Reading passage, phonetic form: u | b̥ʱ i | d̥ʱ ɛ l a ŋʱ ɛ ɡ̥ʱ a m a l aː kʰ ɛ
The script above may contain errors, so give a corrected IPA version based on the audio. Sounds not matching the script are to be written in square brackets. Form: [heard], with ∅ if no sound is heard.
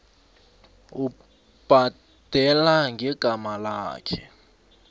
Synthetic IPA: u | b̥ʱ [a] | d̥ʱ ɛ l a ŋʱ ɛ ɡ̥ʱ a m a l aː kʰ ɛ